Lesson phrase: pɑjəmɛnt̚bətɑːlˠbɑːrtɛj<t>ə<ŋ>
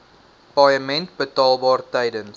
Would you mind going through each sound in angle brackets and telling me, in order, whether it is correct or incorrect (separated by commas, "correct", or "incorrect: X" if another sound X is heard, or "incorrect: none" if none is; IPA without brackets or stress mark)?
incorrect: d, incorrect: n